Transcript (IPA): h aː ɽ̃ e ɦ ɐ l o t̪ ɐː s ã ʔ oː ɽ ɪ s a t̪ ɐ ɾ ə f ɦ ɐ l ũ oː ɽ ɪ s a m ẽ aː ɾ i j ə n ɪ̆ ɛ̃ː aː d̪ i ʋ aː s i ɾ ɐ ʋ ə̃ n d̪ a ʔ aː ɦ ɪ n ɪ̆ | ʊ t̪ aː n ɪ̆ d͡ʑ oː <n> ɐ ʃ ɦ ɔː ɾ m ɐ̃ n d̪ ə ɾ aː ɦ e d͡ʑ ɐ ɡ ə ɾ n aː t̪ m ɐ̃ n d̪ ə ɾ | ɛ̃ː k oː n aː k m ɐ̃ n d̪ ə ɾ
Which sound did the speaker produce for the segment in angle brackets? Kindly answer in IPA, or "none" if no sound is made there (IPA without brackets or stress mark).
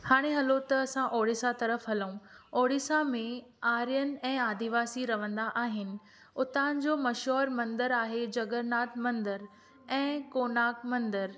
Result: m